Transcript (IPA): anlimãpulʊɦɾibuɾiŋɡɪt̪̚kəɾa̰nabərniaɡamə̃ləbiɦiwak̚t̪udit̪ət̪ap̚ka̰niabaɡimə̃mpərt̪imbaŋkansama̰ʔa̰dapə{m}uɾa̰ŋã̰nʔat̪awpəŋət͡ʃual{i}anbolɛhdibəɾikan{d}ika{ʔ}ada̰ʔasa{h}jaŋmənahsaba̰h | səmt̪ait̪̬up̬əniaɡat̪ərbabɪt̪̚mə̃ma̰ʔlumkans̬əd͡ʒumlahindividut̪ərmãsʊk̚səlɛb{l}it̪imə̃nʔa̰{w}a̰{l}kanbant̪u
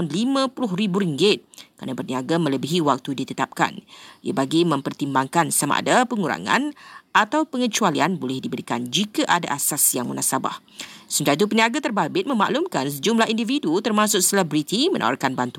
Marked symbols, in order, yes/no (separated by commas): no, yes, no, yes, no, no, yes, no